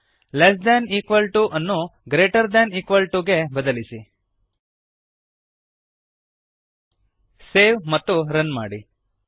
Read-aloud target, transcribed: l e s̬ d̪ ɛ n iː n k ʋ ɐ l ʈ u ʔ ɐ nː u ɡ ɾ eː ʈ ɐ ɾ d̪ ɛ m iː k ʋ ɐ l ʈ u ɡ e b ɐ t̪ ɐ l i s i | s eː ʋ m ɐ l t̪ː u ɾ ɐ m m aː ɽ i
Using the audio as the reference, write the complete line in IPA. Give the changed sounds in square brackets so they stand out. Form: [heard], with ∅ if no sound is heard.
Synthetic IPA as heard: l e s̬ d̪ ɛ n iː [∅] k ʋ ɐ l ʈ u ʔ ɐ nː u ɡ ɾ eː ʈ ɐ ɾ d̪ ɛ [n] iː k ʋ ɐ l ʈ u ɡ e b ɐ [d̪] ɐ l i s i | s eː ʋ m ɐ [∅] t̪ː u ɾ ɐ [n] m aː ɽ i